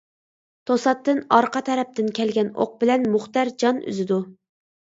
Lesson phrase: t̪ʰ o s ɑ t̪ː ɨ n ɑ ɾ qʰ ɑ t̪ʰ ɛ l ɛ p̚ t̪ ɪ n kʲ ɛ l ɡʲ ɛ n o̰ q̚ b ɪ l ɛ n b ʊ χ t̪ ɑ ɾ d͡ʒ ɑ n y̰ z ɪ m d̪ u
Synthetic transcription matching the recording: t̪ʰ o s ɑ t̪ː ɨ n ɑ ɾ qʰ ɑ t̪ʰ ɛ ɾ ɛ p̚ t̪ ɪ n kʲ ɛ l ɡʲ ɛ n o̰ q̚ b ɪ l ɛ n m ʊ χ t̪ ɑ ɾ d͡ʒ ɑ n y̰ z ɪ d̪ u